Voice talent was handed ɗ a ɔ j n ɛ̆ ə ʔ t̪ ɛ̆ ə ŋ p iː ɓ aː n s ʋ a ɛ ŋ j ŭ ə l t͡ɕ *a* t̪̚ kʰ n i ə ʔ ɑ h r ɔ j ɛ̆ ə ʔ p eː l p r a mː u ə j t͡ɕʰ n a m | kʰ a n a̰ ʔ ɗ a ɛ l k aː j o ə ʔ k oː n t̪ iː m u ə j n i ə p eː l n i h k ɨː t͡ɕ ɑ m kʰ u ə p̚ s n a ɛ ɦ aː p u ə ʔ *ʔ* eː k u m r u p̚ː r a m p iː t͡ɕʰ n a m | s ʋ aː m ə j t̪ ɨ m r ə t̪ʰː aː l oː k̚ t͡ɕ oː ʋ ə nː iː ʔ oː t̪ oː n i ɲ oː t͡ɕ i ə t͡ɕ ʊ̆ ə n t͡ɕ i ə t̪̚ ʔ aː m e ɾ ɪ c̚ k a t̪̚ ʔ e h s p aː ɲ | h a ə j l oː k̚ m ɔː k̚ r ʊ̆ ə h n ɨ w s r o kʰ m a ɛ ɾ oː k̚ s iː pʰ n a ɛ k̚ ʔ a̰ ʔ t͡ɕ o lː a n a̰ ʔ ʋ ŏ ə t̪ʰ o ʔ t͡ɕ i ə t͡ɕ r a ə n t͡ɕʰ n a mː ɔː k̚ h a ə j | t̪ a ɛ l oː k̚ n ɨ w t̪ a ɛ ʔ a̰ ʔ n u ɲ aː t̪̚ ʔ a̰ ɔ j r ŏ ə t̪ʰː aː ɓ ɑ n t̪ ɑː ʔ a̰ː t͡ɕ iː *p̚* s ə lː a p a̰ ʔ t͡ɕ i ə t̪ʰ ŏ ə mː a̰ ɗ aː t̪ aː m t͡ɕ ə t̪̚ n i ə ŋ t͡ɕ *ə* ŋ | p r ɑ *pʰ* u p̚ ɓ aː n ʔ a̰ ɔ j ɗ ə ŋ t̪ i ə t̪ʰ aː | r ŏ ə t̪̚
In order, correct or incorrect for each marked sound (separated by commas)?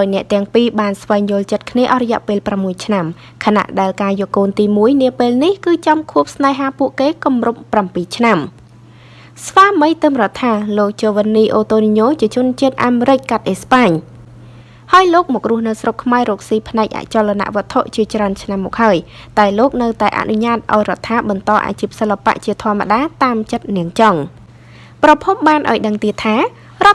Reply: incorrect, incorrect, correct, incorrect, correct